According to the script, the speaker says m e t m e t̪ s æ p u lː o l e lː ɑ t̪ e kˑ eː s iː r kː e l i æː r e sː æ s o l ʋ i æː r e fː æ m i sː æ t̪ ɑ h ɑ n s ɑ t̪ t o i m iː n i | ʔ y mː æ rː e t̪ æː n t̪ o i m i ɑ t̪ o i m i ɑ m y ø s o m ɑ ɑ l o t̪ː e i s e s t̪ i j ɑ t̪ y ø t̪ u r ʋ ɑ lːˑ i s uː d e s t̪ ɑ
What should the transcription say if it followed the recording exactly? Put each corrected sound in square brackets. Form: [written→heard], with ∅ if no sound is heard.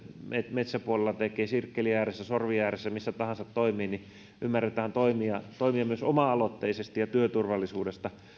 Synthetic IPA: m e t m e t̪ s æ p u [lː→∅] o l e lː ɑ t̪ e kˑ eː s [iː→i] r kː e l i æː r e sː æ s o [l→r] ʋ i æː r e [fː→sː] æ m i sː æ t̪ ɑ h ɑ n s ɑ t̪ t o i m iː n i | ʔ y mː æ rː e t̪ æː n t̪ o i m i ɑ t̪ o i m i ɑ m y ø s o m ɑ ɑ l o t̪ː e i s e s t̪ i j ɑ t̪ y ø t̪ u r ʋ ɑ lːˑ i s uː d e s t̪ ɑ